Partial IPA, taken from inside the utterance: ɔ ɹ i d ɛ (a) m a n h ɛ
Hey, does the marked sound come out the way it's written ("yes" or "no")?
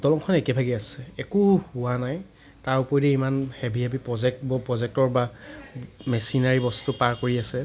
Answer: no